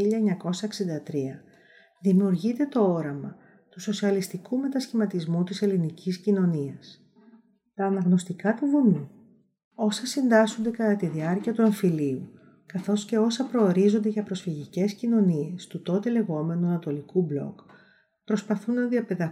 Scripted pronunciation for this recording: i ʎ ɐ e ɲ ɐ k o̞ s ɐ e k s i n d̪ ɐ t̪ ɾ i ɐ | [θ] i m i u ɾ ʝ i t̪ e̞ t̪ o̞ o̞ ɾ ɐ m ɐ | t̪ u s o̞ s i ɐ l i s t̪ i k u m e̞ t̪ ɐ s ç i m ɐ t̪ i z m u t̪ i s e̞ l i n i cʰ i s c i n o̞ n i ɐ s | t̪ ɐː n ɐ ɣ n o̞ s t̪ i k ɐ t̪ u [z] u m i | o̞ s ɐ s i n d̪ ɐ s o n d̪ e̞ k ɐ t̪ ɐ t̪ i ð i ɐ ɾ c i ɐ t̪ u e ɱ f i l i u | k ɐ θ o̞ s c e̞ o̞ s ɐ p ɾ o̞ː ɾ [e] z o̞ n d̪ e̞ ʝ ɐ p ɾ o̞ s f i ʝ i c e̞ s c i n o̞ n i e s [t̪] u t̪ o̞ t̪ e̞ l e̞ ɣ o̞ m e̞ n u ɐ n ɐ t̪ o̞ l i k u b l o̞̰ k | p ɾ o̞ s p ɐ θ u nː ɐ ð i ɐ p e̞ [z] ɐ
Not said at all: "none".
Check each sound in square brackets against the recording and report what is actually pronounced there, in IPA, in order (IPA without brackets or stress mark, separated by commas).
ð, v, i, t̪, ð